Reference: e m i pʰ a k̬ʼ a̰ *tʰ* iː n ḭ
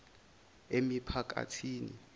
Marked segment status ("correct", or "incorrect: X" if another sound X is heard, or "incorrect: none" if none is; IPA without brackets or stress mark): correct